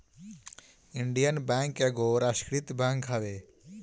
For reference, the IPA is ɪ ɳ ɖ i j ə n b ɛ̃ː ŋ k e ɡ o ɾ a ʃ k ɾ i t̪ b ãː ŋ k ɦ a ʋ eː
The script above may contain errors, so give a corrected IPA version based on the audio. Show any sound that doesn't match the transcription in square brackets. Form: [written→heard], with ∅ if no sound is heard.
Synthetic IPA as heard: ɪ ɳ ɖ i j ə n b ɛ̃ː ŋ k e ɡ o ɾ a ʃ k ɾ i t̪ b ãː ŋ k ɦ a ʋ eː